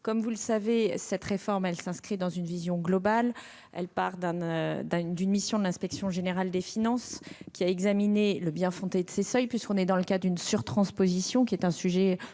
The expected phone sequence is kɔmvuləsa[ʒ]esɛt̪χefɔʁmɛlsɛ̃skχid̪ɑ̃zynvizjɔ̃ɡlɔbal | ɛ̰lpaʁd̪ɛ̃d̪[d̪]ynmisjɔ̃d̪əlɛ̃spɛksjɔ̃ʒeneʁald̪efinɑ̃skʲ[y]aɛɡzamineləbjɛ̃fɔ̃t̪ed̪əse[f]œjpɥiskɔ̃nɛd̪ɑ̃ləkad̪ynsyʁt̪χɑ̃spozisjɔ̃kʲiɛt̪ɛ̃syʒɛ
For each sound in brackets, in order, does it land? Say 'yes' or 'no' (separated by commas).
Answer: no, yes, no, no